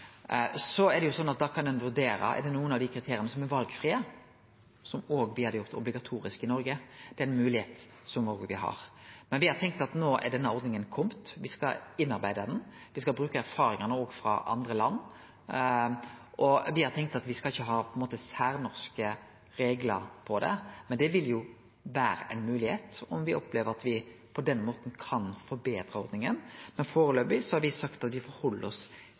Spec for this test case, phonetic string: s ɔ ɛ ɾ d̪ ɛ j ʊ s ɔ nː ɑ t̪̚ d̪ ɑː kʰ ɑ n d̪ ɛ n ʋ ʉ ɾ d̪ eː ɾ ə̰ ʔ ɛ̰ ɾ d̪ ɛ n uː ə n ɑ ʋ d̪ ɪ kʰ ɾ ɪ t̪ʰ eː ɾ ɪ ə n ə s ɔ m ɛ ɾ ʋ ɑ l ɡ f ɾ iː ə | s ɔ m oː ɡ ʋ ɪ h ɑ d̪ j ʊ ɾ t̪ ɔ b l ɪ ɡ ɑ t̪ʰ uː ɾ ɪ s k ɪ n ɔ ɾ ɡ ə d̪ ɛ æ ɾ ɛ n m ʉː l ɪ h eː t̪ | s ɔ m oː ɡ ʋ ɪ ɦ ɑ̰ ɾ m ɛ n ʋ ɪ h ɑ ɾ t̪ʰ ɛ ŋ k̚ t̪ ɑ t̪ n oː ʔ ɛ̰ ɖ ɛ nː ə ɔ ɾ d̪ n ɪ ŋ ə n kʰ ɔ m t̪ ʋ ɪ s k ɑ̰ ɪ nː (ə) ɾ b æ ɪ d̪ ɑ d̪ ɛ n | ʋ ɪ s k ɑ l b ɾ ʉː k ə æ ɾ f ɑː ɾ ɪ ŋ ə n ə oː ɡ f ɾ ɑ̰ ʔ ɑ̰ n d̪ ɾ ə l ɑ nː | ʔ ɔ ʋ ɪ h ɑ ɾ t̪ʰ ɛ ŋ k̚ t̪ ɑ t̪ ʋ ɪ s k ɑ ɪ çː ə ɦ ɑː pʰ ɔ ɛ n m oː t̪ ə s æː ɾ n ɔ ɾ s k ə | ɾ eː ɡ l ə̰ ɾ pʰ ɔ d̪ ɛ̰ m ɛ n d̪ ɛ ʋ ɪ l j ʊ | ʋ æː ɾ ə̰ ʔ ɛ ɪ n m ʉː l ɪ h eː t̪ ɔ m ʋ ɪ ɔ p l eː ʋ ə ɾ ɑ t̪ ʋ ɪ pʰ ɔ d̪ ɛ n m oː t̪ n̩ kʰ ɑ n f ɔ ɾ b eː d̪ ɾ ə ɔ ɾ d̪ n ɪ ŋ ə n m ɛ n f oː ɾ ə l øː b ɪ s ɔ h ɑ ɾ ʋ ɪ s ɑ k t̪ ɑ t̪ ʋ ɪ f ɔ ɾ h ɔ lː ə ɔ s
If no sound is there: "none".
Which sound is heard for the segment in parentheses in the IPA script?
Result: ɑ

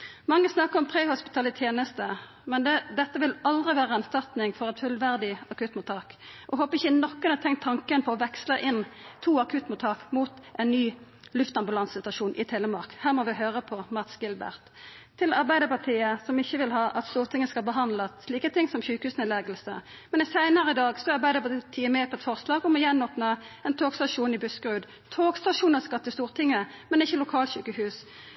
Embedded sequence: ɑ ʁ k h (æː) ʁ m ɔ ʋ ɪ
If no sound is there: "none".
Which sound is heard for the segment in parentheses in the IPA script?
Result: æː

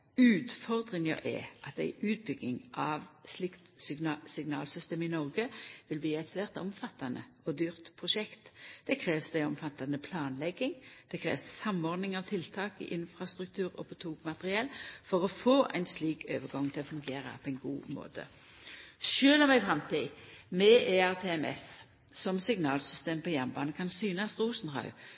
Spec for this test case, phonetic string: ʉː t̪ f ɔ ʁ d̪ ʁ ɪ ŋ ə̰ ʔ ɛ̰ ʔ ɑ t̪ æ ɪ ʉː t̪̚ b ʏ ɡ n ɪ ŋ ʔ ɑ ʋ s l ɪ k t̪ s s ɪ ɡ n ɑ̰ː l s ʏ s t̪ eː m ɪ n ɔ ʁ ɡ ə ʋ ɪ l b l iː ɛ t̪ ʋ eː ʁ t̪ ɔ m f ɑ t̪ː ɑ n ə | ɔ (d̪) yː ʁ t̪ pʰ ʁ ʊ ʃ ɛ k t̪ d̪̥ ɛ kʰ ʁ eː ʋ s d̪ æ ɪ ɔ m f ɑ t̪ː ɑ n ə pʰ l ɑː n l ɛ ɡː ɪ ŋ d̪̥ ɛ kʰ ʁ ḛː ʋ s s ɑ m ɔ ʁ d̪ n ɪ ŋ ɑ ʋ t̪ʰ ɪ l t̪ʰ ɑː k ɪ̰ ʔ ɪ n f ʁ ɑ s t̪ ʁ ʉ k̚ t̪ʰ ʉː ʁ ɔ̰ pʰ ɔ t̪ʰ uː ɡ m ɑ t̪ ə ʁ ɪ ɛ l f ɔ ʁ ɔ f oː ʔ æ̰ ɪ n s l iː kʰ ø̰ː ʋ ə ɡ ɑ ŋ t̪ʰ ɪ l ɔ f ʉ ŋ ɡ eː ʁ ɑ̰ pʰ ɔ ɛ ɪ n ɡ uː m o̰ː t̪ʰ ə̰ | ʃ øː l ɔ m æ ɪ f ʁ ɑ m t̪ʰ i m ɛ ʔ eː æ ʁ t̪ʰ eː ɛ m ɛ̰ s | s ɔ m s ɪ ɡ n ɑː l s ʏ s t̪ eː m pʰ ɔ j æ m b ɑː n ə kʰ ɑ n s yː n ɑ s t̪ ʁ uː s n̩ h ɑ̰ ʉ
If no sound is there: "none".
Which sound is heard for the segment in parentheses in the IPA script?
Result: d̪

